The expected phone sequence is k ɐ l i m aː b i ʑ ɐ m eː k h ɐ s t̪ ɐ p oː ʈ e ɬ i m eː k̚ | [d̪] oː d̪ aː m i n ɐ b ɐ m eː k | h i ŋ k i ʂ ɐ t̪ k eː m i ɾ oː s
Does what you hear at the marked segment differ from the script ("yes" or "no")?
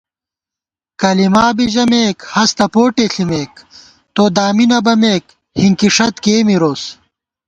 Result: yes